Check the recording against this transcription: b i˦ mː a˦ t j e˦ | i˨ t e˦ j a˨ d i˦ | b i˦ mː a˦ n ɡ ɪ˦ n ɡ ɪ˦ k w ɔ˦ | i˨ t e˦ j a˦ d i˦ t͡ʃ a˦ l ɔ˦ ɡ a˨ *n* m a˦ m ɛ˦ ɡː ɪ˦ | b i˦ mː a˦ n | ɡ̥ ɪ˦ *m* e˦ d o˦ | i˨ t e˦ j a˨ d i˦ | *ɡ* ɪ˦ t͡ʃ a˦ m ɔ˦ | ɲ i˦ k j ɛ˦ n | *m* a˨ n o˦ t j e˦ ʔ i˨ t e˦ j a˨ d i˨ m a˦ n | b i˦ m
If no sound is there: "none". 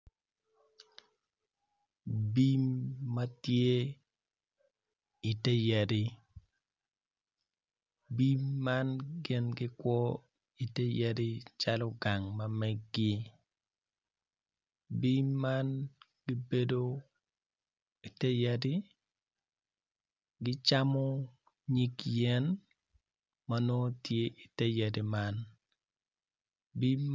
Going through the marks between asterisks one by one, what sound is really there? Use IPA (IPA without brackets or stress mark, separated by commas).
ŋ, b, ɡ, m